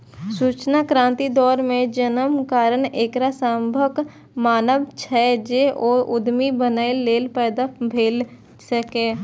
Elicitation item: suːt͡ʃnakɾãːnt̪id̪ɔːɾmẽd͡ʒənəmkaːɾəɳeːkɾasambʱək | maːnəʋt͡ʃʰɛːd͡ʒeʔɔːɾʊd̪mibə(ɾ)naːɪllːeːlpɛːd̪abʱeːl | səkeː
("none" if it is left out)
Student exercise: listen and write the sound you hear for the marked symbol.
none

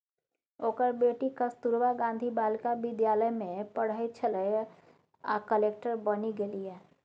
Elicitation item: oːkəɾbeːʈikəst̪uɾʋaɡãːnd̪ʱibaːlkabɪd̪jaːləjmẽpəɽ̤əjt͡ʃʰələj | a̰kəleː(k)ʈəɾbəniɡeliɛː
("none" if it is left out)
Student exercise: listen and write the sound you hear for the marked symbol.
k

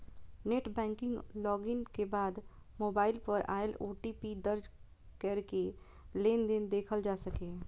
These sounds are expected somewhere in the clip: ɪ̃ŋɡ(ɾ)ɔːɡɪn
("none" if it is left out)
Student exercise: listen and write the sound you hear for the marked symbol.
l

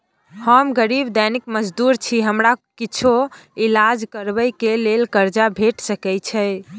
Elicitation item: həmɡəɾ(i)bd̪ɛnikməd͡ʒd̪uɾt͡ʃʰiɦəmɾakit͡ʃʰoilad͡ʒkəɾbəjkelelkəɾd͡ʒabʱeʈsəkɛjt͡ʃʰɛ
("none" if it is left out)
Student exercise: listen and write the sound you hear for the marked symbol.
i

